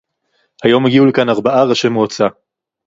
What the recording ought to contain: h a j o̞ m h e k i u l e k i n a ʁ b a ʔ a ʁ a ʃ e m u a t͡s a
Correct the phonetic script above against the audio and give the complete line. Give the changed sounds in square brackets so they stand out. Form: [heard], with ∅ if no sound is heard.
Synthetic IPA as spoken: h a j o̞ m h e [ɡ] i u l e k [a] n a ʁ b a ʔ a ʁ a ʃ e m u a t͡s a